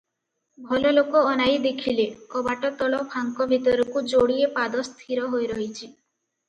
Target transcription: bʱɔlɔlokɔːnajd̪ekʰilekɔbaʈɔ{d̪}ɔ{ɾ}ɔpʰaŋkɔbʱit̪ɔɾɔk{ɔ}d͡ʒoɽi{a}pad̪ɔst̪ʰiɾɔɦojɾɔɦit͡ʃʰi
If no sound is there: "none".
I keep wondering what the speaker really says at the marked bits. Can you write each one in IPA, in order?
t̪, ɭ, u, e

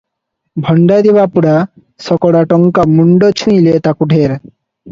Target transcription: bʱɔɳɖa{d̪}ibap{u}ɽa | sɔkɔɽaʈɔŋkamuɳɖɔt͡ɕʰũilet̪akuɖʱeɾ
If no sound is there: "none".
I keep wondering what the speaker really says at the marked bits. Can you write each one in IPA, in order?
d̪, u

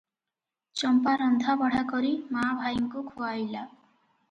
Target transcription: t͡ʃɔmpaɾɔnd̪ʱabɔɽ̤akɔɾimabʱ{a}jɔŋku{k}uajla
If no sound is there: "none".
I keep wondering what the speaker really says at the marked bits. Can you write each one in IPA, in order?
a, kʰ

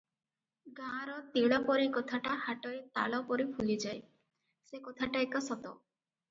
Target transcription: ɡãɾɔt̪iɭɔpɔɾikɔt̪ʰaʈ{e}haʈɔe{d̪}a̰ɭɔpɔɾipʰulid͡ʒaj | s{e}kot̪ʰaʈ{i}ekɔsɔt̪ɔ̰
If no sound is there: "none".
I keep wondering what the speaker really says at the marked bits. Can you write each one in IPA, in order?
a, t̪, e, a

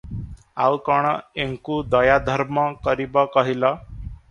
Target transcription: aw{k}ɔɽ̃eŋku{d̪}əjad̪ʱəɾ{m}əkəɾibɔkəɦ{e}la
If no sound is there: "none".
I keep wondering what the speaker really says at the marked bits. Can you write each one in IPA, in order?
k, d̪, m, i

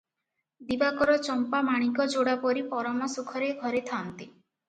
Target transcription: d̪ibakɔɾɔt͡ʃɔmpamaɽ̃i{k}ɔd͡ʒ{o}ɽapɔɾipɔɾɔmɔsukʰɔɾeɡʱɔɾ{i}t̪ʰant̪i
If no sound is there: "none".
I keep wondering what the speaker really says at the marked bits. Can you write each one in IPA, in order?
k, o, e

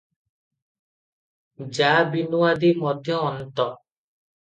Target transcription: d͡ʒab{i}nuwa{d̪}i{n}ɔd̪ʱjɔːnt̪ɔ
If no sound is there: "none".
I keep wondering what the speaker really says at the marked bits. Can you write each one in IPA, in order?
i, d̪, m

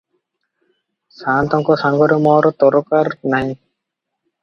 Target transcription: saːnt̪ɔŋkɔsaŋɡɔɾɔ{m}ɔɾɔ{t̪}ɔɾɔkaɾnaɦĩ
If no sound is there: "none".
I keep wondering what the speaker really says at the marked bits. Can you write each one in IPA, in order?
m, t̪

